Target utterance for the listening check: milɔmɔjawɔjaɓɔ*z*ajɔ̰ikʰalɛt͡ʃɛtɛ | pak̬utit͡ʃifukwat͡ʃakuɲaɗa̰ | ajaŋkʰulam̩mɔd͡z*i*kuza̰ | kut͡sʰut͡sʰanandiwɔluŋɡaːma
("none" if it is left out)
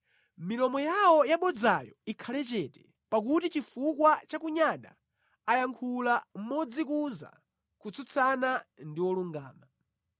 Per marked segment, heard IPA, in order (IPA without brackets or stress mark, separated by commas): d͡z, i